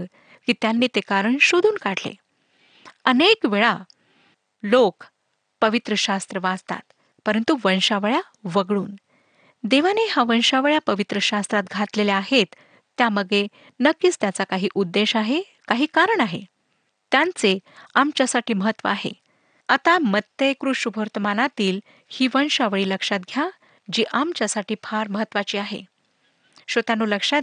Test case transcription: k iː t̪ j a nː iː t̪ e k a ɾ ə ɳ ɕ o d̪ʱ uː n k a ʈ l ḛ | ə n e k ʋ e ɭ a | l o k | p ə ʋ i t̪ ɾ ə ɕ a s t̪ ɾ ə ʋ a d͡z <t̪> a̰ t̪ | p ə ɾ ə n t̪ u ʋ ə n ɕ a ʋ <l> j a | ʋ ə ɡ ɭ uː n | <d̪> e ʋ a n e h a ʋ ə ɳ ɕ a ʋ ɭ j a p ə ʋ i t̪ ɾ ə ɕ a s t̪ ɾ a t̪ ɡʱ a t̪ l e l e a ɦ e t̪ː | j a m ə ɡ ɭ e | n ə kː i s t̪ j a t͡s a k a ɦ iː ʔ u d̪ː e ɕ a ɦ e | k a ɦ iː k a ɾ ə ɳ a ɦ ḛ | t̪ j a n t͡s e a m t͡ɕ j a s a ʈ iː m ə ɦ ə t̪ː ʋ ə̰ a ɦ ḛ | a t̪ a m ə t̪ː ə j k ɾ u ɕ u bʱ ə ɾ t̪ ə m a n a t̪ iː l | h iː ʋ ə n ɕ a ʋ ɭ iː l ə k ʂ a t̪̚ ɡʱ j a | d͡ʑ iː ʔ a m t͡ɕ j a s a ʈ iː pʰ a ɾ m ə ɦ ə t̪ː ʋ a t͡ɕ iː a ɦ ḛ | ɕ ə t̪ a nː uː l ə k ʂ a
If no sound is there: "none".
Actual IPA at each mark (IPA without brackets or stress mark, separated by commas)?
t̪, ɭ, d̪